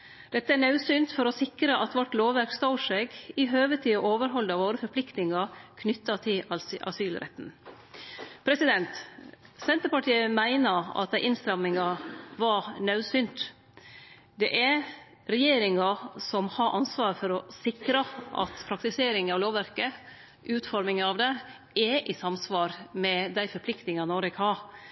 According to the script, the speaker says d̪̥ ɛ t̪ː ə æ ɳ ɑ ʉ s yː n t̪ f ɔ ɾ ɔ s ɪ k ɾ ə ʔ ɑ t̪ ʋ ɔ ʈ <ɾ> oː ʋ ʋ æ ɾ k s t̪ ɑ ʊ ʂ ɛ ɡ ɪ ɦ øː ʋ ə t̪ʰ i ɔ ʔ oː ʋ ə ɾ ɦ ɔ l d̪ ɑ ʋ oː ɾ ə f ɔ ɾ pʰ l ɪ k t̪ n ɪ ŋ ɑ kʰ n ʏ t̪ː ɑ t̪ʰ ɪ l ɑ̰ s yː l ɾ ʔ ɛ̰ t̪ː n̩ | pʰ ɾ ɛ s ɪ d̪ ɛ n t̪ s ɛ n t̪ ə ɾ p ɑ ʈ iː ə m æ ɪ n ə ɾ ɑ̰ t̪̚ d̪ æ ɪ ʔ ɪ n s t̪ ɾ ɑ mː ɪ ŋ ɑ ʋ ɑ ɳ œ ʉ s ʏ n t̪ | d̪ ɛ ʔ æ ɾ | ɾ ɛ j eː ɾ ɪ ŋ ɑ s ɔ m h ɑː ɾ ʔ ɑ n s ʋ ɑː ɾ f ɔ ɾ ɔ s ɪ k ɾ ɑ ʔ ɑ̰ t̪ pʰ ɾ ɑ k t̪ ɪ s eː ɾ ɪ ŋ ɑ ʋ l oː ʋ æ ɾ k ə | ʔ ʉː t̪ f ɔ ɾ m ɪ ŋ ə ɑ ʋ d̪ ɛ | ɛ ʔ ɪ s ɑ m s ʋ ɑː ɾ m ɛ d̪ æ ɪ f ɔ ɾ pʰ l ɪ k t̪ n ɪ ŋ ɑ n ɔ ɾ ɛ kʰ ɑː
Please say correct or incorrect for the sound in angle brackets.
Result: incorrect